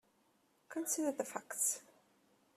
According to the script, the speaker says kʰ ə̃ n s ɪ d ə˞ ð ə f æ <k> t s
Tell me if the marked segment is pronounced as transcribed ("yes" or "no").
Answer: yes